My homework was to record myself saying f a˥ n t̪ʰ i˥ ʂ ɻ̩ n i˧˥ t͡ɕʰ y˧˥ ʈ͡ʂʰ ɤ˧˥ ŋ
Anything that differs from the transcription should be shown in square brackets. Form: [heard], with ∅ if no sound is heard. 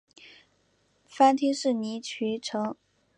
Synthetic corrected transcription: f a˥ n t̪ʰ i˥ ʂ ɻ̩ n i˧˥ t͡ɕʰ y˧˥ ʈ͡ʂʰ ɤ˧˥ ŋ